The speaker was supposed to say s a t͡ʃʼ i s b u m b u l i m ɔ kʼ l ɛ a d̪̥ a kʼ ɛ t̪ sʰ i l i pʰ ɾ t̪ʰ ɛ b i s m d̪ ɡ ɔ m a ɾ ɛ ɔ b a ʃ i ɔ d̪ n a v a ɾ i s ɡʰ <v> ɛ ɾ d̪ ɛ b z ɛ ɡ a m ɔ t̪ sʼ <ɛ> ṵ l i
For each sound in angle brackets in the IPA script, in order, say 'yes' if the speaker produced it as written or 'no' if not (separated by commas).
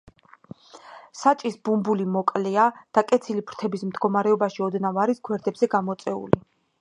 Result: no, yes